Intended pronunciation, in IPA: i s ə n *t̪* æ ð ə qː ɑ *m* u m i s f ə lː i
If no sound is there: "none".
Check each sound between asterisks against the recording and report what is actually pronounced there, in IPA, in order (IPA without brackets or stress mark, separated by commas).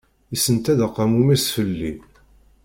t̪, m